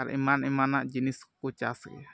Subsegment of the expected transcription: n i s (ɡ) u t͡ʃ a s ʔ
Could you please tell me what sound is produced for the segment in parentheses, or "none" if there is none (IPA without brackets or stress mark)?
k